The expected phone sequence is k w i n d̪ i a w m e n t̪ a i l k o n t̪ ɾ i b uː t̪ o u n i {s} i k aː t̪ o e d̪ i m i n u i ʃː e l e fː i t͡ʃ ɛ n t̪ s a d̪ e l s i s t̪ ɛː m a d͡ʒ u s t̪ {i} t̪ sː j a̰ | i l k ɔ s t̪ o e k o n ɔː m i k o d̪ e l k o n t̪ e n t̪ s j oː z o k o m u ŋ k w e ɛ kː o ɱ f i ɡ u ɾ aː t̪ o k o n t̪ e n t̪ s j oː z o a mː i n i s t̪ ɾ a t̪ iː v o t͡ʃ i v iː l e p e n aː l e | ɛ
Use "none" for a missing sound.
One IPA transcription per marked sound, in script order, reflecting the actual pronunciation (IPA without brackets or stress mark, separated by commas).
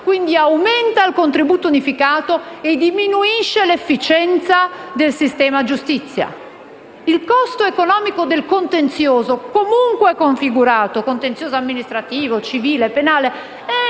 f, i